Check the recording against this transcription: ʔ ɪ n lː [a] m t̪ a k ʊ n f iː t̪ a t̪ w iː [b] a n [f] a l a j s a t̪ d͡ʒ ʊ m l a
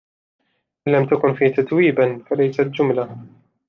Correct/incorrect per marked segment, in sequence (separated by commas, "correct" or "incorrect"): correct, correct, correct